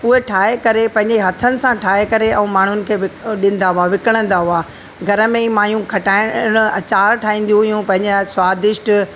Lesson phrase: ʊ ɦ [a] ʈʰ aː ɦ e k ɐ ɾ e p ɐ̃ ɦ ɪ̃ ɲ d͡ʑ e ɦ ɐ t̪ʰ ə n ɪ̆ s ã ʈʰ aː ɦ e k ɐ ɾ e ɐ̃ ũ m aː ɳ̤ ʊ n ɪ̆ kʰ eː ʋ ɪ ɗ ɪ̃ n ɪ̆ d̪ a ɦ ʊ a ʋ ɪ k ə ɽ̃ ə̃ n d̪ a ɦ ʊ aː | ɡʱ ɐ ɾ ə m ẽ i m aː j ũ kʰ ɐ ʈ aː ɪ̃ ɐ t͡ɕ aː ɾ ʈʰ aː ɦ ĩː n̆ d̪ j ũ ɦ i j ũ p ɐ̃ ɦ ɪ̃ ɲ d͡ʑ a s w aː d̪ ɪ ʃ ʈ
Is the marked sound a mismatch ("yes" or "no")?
yes